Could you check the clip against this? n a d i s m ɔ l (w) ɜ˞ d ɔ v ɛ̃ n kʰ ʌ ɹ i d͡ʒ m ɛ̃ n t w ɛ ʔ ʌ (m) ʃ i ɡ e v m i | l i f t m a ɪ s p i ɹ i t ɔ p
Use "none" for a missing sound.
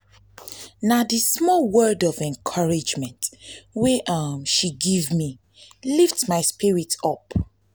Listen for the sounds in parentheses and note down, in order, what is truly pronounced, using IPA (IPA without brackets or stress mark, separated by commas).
w, m